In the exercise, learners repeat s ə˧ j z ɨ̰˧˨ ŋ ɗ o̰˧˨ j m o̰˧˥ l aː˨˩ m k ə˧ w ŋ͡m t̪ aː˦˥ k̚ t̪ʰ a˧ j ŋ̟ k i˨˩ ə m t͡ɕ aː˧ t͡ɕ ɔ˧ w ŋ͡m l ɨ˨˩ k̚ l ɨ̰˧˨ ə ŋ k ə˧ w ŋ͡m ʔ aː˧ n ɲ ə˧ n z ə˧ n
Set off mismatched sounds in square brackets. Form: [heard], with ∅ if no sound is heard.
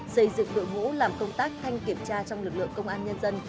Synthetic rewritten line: s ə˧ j z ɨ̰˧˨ ŋ ɗ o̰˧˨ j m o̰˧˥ l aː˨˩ m k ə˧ w ŋ͡m t̪ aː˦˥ k̚ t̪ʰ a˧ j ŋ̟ k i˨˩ ə m t͡ɕ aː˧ t͡ɕ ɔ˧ w ŋ͡m l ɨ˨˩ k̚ l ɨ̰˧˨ ə ŋ k ə˧ w ŋ͡m ʔ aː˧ n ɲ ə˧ n z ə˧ n